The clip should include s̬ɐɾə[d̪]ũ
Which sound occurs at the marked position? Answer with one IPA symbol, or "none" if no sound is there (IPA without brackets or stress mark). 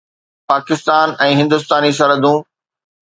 d̪